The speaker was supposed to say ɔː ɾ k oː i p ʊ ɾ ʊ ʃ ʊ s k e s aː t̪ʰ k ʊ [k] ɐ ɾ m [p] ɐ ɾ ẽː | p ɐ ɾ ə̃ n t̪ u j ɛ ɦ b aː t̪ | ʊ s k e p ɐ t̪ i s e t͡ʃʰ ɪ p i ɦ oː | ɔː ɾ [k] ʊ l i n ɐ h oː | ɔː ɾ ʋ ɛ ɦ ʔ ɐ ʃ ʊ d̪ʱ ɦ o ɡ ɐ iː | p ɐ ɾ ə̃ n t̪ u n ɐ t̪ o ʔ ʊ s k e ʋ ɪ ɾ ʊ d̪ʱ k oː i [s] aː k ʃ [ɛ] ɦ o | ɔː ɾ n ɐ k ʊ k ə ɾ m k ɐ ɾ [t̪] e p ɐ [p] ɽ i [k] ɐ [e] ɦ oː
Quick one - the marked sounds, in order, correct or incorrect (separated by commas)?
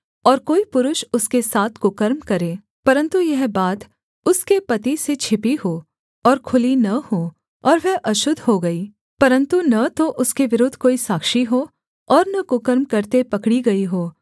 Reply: correct, incorrect, incorrect, correct, incorrect, correct, incorrect, incorrect, incorrect